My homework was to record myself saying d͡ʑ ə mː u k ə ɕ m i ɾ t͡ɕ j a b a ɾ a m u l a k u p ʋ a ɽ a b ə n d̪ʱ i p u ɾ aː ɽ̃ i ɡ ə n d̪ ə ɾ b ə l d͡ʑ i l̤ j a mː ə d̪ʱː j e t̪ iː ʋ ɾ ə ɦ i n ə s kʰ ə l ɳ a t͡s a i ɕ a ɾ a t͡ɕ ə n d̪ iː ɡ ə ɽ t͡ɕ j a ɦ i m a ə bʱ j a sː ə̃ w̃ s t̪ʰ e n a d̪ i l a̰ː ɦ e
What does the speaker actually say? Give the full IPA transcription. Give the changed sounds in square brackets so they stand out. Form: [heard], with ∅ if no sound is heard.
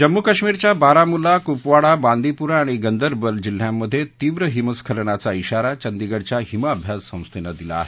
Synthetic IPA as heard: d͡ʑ ə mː u k ə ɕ m i ɾ t͡ɕ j a b a ɾ a m u l a k u p ʋ a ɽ a b [a] n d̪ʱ i p u ɾ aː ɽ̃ i ɡ ə n d̪ ə ɾ b ə l d͡ʑ i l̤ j a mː ə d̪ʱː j e t̪ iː ʋ ɾ ə ɦ i [m] ə s kʰ ə l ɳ a t͡s a i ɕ a ɾ a t͡ɕ ə n d̪ [i] ɡ ə ɽ t͡ɕ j a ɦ i m a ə bʱ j a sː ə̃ w̃ s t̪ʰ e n a d̪ i l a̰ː ɦ e